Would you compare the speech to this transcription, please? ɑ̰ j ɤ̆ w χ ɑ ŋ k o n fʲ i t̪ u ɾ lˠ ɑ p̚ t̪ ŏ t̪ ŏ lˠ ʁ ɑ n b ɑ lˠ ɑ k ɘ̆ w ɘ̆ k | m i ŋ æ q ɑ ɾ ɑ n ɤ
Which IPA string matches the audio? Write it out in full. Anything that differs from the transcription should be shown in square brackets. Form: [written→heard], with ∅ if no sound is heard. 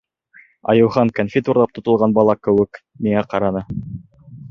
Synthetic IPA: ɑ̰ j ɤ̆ w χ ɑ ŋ k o n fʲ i t̪ u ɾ lˠ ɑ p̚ t̪ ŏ t̪ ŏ lˠ ʁ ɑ n b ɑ lˠ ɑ k ɘ̆ w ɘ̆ k | m i ŋ æ q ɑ ɾ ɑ n ɤ